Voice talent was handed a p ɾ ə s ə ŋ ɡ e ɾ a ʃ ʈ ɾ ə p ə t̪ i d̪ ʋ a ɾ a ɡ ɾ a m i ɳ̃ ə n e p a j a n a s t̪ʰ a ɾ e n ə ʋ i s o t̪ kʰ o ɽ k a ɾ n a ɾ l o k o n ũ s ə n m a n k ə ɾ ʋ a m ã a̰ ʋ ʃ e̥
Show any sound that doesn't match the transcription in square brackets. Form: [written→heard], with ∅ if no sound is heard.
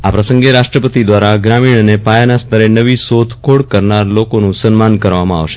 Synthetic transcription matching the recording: a p ɾ ə s ə ŋ ɡ e ɾ a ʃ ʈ ɾ ə p ə t̪ i d̪ ʋ a ɾ a ɡ ɾ a m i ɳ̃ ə n e p a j a n a s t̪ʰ [a→ə] ɾ e n ə ʋ i s o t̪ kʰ o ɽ k [a→ə] ɾ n a ɾ l o k o n ũ s ə n m a n k ə ɾ ʋ a m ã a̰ ʋ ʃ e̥